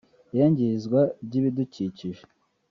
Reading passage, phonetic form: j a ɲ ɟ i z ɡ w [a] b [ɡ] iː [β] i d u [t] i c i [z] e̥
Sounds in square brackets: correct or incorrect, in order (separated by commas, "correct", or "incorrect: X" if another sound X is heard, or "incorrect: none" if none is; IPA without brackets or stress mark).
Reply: correct, incorrect: ɟ, correct, incorrect: c, incorrect: ʒ